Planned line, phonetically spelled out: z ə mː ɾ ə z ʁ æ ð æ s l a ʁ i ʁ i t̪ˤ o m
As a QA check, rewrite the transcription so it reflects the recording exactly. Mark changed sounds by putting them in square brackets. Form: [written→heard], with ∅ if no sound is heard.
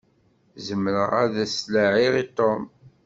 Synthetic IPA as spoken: z ə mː ɾ ə [z→∅] ʁ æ ð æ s l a [ʁ→ʕ] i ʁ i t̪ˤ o m